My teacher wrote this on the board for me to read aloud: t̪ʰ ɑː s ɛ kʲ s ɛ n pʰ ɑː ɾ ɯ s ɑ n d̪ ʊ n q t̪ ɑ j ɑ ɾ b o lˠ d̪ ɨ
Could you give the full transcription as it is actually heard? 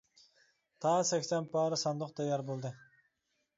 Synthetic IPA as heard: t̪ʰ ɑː s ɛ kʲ s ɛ n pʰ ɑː ɾ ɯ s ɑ n d̪ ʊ q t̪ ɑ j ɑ ɾ b o lˠ d̪ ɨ